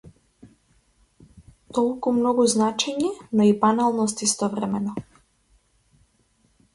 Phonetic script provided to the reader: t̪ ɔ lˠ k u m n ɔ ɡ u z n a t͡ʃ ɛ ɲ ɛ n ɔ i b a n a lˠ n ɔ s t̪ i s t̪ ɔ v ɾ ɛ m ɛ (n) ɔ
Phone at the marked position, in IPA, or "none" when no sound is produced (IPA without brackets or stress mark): n